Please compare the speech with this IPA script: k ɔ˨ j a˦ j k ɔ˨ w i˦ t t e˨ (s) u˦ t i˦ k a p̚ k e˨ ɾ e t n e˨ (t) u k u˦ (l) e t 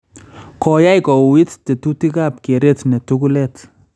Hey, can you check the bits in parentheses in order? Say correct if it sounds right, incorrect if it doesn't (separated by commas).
incorrect, correct, correct